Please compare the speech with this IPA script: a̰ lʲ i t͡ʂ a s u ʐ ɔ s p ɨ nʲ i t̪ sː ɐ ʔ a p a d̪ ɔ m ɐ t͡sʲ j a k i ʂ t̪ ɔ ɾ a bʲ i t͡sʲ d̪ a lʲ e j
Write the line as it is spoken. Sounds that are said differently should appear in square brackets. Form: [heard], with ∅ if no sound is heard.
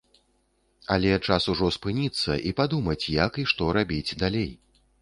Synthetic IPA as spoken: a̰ lʲ [ɛ] t͡ʂ a s u ʐ ɔ s p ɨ nʲ i t̪ sː ɐ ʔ [i] p a d̪ [u] m ɐ t͡sʲ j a k i ʂ t̪ ɔ ɾ a bʲ i t͡sʲ d̪ a lʲ e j